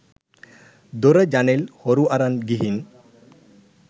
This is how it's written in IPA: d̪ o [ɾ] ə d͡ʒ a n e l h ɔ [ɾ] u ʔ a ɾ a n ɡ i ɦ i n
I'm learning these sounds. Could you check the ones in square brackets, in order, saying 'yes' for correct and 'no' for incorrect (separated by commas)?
yes, yes